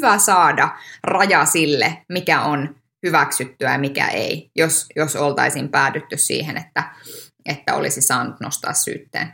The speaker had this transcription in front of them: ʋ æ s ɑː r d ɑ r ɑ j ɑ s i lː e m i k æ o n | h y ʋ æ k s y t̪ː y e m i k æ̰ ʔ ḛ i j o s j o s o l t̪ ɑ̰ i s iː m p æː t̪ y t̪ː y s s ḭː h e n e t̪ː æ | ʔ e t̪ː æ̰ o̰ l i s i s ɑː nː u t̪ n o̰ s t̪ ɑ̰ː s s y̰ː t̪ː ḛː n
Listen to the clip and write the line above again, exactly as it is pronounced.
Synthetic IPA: ʋ æ s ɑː d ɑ r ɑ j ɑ s i lː e m i k æ o n | h y ʋ æ k s y t̪ː y æ m i k æ̰ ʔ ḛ i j o s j o s o l t̪ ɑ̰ i s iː m p æː t̪ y t̪ː y s s ḭː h e n e t̪ː æ | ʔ e t̪ː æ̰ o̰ l i s i s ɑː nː u t̪ n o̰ s t̪ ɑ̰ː s s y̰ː t̪ː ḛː n